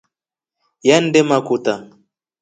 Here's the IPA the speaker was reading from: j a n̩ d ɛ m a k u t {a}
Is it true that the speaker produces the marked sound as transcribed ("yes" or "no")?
yes